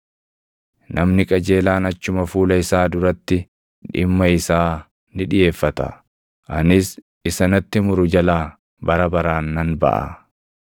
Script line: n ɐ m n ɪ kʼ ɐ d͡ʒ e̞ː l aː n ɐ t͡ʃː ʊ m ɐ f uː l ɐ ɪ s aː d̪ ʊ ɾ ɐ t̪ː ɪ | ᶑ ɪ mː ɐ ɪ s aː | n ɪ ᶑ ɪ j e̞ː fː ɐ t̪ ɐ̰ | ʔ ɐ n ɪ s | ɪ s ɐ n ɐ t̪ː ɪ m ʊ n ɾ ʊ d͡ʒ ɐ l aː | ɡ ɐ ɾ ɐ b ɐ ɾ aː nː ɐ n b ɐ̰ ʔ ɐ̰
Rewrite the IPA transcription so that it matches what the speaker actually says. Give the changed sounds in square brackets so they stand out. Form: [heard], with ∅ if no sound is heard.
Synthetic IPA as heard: n ɐ m n ɪ kʼ ɐ d͡ʒ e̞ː l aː n ɐ t͡ʃː ʊ m ɐ f uː l ɐ ɪ s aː d̪ ʊ ɾ ɐ t̪ː ɪ | ᶑ ɪ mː ɐ ɪ s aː | n ɪ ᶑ ɪ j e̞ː fː ɐ t̪ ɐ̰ | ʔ ɐ n ɪ s | ɪ s ɐ n ɐ t̪ː ɪ m ʊ [∅] ɾ ʊ d͡ʒ ɐ l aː | [b] ɐ ɾ ɐ b ɐ ɾ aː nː ɐ n b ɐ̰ ʔ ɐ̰